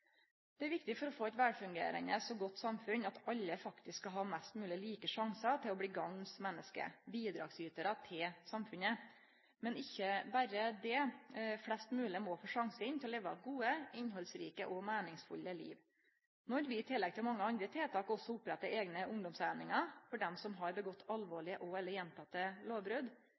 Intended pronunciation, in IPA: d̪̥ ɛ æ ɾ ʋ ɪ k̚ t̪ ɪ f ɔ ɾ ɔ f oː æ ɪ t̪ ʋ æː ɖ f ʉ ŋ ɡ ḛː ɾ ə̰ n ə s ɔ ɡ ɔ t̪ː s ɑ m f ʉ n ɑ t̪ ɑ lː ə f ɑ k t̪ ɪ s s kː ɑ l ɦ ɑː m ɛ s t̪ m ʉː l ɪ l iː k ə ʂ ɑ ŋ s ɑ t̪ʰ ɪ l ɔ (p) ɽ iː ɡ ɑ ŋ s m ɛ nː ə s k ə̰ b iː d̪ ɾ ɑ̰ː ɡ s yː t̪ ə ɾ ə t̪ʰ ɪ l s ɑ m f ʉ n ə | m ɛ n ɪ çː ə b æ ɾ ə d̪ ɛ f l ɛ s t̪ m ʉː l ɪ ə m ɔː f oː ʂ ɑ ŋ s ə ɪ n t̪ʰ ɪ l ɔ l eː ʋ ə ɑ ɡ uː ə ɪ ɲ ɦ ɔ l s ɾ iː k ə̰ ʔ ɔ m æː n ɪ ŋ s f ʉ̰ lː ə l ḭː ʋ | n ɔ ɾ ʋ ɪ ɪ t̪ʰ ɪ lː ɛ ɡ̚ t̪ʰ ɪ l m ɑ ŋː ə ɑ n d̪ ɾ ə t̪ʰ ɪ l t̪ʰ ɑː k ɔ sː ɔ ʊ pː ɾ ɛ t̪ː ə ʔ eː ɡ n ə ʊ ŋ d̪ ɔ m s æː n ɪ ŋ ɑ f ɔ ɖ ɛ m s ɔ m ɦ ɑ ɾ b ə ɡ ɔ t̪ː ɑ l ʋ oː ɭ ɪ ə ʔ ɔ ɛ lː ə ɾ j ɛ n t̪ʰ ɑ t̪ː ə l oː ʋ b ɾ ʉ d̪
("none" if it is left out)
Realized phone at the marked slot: b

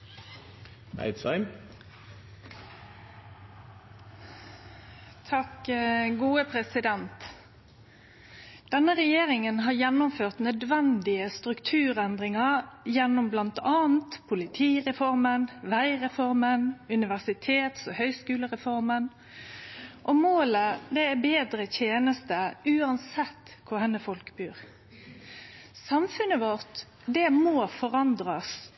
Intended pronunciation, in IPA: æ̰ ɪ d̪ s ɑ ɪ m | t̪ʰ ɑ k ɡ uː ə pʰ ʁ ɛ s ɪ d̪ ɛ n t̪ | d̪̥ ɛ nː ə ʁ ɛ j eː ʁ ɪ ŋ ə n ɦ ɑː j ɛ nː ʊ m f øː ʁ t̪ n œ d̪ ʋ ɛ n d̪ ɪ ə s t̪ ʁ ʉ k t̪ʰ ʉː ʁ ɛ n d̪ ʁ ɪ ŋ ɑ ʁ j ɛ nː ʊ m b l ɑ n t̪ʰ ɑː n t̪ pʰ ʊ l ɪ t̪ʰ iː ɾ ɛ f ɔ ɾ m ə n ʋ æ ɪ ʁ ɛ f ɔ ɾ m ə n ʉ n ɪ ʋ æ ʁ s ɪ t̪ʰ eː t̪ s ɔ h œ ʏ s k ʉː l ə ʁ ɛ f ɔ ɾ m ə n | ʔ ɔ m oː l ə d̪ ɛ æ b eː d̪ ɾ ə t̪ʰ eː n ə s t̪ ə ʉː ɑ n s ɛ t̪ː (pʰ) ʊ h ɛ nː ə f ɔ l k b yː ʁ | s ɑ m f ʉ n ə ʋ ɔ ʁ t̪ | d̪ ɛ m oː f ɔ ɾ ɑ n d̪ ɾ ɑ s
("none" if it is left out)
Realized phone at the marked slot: kʰ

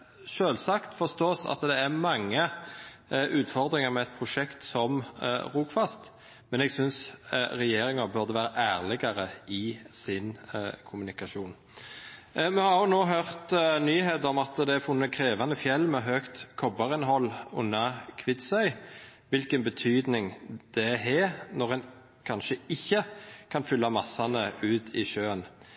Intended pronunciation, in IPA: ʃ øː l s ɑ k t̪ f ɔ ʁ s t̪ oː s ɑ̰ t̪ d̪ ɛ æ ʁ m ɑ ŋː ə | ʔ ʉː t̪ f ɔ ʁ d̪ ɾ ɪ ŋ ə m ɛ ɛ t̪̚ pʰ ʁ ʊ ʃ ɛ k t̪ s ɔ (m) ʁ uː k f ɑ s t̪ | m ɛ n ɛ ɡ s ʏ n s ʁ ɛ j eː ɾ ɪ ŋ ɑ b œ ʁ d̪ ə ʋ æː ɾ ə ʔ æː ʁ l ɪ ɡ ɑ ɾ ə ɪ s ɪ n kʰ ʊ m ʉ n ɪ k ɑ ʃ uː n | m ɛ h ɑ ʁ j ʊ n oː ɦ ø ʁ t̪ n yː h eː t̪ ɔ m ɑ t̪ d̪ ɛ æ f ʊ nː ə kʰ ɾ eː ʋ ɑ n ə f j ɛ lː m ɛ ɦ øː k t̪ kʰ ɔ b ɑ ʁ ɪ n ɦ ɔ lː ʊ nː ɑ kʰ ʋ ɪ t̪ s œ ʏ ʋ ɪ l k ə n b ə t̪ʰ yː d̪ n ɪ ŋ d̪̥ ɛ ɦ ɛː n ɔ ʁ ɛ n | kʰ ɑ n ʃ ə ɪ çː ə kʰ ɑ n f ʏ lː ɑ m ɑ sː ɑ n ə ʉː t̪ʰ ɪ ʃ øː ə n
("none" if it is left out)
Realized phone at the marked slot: m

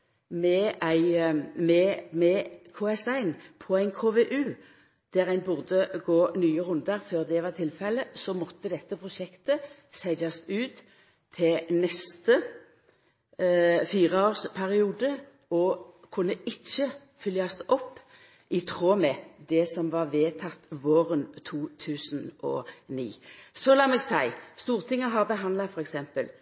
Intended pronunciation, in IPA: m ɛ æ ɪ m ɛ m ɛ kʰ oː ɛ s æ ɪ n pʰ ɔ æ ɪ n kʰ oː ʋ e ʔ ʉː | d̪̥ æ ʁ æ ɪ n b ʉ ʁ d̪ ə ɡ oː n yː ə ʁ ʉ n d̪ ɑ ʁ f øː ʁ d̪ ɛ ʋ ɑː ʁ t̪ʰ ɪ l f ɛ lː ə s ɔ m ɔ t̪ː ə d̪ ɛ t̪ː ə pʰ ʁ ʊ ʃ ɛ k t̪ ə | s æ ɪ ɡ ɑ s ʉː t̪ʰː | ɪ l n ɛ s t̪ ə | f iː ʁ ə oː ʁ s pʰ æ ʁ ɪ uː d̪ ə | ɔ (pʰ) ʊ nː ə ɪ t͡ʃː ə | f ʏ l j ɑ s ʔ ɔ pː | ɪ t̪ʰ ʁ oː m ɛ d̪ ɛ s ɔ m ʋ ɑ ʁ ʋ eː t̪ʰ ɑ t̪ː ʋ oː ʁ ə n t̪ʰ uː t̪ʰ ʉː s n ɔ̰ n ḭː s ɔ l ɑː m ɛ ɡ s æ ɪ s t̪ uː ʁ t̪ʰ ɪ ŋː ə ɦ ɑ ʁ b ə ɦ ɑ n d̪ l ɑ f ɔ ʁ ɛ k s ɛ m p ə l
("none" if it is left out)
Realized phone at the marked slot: kʰ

